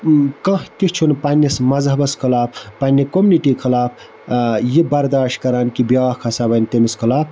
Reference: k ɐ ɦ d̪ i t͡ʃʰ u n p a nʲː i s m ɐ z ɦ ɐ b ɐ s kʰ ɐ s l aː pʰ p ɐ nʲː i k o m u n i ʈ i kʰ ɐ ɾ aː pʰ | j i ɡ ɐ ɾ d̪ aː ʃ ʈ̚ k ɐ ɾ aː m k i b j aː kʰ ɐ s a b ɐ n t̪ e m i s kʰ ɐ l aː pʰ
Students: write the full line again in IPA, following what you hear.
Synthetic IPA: k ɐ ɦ t̪ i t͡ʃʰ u n p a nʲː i s m ɐ z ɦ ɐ b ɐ s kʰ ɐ l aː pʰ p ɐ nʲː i k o m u n i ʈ i kʰ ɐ l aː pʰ | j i b ɐ ɾ d̪ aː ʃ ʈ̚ k ɐ ɾ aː n k i b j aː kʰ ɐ s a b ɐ n t̪ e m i s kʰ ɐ l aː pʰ